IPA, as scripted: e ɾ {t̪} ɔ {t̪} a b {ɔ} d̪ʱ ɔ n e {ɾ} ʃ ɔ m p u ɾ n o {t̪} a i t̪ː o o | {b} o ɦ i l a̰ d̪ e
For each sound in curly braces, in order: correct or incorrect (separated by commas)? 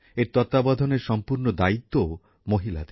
correct, correct, correct, correct, incorrect, incorrect